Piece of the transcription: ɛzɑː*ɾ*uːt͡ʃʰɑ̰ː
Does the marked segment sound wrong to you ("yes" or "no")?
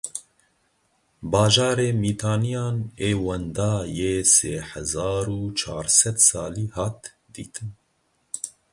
no